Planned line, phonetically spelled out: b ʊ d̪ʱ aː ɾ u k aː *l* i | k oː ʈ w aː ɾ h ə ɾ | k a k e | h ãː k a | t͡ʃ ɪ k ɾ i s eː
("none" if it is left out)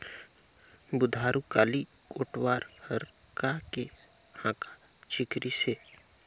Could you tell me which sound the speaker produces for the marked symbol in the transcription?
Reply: l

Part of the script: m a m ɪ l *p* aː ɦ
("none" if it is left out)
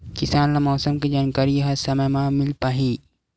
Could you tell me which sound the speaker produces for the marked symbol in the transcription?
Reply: p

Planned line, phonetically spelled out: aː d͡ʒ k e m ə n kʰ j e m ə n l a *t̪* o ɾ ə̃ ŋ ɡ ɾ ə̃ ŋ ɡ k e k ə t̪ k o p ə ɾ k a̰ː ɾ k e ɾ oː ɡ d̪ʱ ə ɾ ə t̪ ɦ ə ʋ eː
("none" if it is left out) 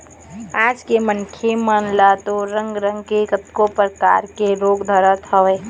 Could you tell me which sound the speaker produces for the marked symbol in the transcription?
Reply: t̪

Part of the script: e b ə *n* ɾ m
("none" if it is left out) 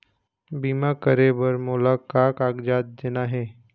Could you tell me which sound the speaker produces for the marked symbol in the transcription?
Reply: none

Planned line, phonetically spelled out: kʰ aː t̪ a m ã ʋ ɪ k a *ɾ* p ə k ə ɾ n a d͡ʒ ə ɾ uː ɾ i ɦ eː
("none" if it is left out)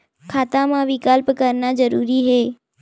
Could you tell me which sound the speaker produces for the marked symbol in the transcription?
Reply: l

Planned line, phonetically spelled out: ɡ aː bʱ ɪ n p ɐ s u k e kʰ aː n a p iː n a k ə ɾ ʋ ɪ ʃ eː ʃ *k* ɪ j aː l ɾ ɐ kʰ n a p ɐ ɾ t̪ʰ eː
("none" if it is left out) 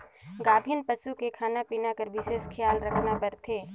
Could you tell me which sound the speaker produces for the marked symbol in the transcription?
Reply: kʰ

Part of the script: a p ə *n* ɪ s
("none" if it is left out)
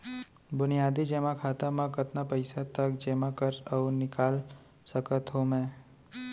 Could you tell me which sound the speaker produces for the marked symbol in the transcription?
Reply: none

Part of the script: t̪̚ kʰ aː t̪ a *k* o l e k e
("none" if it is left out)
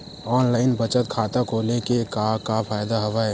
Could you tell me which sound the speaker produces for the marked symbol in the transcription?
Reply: k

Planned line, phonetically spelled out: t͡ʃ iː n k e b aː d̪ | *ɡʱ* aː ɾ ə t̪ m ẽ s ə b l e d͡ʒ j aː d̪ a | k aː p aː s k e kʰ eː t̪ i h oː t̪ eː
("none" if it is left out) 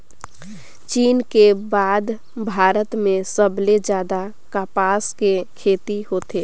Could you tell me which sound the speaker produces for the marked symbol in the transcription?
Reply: bʱ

